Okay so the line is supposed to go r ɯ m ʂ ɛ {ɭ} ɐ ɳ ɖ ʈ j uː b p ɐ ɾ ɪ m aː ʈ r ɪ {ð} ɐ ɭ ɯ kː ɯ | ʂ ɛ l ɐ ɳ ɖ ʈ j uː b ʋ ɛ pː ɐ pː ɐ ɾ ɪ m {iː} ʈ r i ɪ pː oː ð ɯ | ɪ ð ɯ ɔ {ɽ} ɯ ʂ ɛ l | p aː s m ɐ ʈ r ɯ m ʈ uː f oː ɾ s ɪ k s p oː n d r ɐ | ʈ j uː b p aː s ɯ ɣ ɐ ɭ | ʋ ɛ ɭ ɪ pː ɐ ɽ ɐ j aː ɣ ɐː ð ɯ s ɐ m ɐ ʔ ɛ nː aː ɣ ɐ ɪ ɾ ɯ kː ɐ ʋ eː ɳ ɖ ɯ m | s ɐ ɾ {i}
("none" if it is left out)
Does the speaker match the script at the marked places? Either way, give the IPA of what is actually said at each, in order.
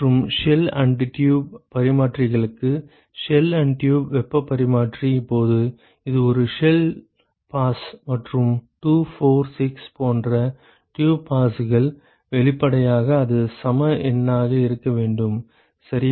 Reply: l, ɣ, aː, ɾ, ɪ

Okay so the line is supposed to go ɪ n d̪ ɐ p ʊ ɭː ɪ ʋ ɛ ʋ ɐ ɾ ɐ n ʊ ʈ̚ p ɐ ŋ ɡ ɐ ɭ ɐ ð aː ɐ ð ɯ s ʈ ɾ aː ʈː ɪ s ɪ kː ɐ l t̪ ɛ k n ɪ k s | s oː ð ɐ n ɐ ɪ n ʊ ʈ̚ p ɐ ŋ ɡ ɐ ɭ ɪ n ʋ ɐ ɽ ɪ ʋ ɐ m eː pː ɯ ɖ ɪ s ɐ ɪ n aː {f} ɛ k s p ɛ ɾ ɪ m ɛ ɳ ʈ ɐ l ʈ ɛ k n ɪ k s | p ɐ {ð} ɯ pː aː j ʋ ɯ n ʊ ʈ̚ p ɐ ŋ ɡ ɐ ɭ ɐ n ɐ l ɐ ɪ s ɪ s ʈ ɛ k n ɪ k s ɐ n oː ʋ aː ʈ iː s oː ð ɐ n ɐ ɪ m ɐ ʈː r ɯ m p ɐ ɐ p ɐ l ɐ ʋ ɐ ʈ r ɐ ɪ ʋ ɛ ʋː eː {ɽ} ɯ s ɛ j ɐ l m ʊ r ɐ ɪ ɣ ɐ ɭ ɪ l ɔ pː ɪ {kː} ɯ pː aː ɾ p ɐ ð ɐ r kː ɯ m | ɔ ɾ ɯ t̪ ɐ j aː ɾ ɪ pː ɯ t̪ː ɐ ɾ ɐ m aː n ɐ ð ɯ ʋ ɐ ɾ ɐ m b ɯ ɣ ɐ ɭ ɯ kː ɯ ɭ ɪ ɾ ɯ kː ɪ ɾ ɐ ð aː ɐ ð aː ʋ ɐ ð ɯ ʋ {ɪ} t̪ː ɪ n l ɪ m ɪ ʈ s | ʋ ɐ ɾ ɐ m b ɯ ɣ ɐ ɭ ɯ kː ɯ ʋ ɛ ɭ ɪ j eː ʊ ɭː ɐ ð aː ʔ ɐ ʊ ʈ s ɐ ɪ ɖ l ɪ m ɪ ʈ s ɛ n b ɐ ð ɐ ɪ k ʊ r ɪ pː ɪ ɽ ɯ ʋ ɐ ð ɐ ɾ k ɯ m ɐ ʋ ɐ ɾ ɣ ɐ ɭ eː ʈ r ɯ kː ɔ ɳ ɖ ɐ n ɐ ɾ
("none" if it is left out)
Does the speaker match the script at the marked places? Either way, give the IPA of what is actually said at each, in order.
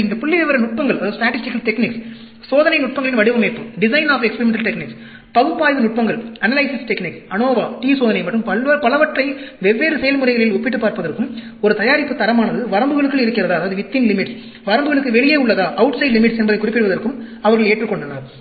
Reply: f, ɣ, ɾ, ʈː, ɪ

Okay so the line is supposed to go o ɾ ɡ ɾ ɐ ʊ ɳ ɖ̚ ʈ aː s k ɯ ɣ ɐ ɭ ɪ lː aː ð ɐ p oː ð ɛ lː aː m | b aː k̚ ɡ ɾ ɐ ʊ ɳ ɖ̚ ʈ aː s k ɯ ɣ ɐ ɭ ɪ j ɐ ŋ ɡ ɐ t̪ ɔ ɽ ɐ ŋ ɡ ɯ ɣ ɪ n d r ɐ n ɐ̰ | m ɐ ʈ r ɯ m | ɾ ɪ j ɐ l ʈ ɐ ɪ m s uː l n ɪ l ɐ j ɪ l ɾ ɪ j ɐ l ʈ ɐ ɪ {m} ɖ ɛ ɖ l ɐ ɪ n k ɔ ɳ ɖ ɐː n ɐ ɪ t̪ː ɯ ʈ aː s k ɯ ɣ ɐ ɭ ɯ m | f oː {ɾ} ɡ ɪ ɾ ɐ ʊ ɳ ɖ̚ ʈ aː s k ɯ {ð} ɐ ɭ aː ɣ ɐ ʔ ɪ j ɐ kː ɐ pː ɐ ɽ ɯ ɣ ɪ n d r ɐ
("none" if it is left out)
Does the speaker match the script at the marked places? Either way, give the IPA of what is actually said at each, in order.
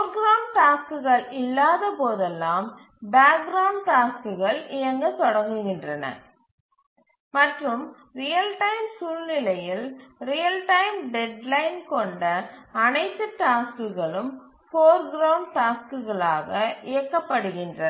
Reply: m, ɾ, ɣ

